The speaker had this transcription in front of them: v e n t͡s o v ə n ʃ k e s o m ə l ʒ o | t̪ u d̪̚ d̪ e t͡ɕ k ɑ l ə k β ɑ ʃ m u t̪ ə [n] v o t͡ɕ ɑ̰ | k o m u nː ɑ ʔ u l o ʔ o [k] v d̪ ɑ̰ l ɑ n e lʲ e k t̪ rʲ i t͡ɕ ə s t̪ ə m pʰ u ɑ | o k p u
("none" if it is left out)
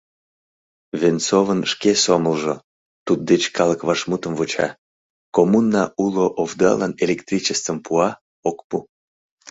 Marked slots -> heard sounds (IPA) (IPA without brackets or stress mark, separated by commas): m, none